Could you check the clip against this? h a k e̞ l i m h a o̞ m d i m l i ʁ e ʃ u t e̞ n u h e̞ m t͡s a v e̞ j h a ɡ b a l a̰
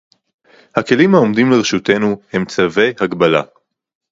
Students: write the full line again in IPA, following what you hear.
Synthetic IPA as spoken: h a k e̞ l i m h a o̞ m d i m l e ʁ e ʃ u t e̞ n u h e̞ m t͡s a v e̞ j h a ɡ b a l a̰